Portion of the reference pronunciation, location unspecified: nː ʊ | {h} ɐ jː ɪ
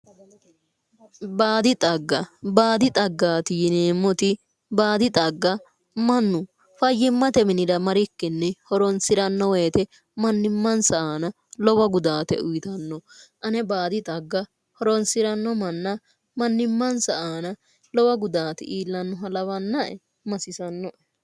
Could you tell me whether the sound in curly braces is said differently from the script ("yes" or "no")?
yes